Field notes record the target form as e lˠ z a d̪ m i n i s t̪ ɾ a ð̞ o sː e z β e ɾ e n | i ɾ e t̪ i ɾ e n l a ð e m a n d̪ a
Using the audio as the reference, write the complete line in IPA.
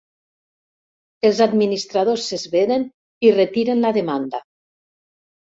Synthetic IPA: e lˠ z a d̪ m i n i s t̪ ɾ a ð̞ o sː e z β e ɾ e n | i r e t̪ i ɾ e n l a ð e m a n d̪ a